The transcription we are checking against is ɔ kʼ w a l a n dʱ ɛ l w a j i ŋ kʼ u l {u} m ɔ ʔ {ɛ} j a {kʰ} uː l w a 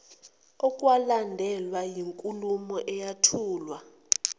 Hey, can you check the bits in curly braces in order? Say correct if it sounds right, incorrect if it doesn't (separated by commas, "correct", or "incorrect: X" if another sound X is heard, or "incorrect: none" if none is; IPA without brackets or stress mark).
correct, correct, incorrect: tʰ